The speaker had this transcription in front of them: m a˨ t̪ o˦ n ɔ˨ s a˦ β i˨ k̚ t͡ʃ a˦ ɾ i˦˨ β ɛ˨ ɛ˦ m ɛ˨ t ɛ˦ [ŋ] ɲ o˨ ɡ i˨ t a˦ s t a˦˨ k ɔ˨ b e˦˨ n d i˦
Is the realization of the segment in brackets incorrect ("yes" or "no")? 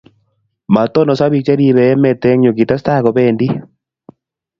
no